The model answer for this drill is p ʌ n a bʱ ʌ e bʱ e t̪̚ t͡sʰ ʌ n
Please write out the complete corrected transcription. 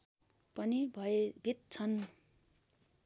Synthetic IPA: p ʌ n i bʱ ʌ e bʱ i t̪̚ t͡sʰ ʌ n